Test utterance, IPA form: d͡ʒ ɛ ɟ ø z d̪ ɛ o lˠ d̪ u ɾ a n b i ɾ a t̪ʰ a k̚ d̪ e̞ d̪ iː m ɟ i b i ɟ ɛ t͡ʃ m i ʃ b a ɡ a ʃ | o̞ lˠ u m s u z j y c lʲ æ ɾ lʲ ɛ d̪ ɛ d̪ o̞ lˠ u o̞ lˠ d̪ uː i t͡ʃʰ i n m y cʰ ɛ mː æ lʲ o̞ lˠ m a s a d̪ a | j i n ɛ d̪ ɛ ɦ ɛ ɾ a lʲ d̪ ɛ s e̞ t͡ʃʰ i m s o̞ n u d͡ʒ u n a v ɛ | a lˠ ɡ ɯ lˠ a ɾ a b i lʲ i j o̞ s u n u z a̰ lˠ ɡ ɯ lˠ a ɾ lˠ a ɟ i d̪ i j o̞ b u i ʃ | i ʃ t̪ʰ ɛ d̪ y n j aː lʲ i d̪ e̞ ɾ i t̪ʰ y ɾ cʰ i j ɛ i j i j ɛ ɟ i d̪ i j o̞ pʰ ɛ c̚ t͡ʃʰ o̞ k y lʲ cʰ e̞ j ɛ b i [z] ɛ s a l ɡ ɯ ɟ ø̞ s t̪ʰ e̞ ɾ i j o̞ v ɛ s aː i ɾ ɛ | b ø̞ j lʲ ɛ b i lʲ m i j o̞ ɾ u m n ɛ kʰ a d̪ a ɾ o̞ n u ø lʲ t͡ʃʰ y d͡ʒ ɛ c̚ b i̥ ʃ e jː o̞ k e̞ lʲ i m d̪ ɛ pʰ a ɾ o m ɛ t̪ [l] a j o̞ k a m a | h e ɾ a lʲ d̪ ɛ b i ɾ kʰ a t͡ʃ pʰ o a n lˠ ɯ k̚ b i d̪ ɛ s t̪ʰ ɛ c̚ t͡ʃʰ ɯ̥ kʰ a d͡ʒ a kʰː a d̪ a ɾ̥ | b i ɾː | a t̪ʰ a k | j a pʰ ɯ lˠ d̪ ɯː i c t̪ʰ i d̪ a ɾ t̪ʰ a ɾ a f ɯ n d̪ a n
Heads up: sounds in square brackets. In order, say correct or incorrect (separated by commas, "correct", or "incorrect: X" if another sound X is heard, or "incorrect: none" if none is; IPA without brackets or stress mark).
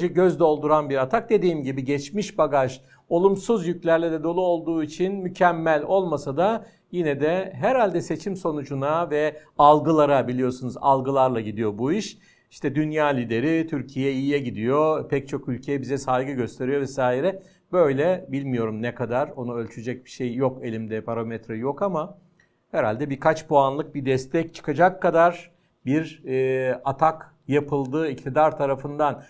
correct, incorrect: ɾ